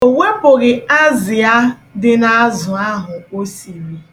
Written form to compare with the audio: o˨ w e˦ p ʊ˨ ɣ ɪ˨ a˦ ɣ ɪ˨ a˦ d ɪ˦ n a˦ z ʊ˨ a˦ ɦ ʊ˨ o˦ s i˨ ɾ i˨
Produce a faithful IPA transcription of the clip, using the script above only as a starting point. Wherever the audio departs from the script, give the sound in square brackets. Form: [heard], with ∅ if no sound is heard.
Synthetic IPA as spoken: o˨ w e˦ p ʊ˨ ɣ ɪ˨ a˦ [z] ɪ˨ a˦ d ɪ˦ n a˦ z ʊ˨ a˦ ɦ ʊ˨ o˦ s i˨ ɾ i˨

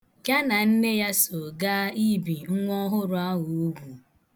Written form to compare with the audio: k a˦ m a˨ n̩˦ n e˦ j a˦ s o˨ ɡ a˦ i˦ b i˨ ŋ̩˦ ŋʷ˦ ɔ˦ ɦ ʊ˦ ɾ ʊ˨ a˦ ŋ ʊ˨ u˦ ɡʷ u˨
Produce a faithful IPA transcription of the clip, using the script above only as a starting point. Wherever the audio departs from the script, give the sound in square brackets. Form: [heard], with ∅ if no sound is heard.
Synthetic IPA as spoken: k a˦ [n] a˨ n̩˦ n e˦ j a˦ s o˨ ɡ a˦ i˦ b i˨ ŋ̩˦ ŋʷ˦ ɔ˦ ɦ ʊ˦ ɾ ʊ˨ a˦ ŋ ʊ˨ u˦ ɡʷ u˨

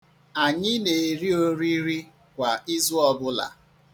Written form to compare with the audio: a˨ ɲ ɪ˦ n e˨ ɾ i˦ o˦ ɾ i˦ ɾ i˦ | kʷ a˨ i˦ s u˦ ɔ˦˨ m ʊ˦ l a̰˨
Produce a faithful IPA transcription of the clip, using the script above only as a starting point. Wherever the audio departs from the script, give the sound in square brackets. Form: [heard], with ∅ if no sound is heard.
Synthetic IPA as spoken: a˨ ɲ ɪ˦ n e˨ ɾ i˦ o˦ ɾ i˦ ɾ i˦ | kʷ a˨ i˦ [z] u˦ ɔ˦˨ [b] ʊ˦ l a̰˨

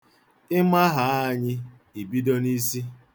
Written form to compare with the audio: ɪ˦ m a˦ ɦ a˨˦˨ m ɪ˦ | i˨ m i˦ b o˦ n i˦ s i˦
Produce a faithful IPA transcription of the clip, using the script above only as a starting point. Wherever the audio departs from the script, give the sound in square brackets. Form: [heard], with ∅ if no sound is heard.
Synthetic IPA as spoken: ɪ˦ m a˦ ɦ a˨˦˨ [ɲ] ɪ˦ | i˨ [b] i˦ [d] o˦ n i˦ s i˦

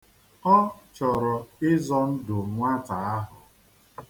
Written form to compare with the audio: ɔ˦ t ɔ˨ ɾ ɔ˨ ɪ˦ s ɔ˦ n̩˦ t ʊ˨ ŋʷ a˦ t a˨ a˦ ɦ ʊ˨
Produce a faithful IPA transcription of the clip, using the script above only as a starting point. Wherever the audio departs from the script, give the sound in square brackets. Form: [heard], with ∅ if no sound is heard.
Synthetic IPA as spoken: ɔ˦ [t͡ʃ] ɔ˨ ɾ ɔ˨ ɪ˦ [z] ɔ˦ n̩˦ [d] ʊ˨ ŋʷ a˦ t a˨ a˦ ɦ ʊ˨

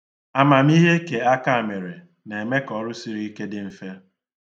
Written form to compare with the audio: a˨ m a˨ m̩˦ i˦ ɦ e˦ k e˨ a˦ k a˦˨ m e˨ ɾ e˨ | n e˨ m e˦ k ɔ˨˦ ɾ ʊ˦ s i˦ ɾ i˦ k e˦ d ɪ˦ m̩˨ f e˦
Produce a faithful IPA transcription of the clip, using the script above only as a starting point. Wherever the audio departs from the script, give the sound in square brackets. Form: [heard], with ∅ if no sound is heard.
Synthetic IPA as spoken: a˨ m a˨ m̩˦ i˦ ɦ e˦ k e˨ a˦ k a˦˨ m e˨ ɾ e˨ | n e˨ m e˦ k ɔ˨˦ ɾ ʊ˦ s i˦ ɾ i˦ k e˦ d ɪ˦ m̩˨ f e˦

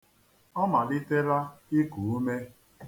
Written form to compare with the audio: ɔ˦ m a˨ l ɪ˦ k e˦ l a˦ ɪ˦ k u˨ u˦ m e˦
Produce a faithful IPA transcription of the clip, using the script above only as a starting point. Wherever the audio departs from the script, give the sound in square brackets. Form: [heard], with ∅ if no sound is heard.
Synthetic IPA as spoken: ɔ˦ m a˨ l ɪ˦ [t] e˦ [ɾ] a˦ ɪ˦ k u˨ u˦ m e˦

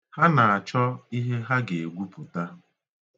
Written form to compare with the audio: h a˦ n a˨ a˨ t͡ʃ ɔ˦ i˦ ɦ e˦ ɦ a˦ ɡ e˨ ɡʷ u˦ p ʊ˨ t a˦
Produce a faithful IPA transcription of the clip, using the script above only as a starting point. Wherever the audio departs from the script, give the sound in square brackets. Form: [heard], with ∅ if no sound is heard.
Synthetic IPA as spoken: h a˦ n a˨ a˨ t͡ʃ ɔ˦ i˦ ɦ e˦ ɦ a˦ ɡ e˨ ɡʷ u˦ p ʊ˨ t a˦

